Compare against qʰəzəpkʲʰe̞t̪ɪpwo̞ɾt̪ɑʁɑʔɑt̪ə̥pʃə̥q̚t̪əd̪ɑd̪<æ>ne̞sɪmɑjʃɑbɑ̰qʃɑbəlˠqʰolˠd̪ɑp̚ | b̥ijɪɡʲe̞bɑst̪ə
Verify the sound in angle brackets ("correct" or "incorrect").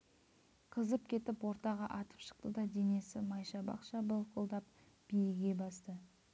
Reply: incorrect